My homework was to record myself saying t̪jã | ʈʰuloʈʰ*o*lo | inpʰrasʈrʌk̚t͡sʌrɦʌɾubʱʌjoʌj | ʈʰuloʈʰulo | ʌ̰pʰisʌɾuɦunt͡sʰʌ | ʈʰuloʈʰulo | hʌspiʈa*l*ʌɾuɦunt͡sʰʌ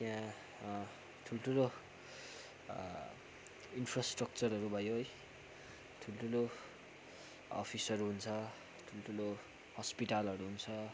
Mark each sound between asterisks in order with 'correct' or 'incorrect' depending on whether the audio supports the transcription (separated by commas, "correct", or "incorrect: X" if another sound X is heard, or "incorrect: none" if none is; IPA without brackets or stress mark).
incorrect: u, correct